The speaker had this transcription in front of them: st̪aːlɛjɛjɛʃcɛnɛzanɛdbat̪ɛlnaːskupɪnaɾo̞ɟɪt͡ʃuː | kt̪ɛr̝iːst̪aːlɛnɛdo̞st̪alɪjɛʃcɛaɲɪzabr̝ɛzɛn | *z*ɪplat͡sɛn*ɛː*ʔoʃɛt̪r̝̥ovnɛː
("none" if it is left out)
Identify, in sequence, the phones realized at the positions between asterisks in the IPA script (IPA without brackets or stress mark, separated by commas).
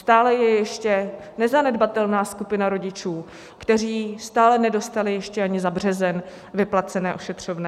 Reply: v, ɛː